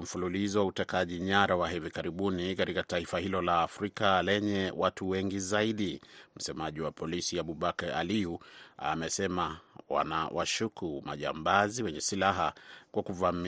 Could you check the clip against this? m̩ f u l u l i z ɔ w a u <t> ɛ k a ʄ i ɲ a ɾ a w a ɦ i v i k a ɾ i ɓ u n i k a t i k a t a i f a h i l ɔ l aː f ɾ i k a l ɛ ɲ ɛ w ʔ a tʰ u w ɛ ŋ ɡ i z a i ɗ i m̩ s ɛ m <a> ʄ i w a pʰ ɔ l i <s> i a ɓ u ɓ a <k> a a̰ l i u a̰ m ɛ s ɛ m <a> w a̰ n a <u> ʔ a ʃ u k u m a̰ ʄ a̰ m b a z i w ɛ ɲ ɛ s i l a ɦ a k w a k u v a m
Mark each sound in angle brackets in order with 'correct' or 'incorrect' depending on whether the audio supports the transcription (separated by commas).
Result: correct, correct, correct, correct, correct, incorrect